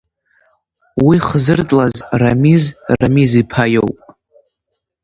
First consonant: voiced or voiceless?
voiced